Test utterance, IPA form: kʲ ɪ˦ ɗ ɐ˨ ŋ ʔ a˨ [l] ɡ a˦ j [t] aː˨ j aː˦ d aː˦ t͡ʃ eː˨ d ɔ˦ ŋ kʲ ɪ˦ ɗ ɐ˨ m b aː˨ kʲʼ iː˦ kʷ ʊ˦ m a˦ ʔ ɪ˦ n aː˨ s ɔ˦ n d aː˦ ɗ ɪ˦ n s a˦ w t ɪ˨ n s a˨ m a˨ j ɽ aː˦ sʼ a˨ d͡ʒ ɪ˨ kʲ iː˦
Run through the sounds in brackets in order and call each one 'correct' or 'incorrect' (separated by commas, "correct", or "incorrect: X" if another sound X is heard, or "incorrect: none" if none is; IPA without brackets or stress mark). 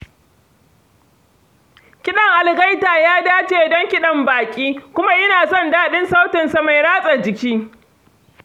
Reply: correct, correct